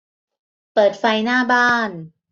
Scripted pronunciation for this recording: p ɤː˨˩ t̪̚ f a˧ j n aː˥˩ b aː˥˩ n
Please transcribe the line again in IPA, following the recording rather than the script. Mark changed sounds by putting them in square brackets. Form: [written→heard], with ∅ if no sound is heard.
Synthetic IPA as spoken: p ɤː˨˩ t̪̚ f a˧ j n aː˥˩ b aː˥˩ n